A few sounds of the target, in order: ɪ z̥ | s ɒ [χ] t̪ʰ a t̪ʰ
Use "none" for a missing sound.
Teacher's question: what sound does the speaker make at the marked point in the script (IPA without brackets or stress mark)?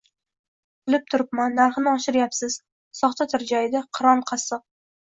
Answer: χ